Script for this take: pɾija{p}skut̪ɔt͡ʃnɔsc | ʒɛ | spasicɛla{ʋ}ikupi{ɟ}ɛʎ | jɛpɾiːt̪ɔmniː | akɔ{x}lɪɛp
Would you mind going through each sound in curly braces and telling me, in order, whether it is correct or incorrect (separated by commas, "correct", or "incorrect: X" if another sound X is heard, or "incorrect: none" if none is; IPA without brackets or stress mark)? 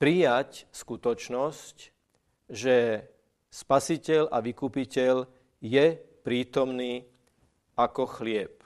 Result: incorrect: c, correct, incorrect: c, correct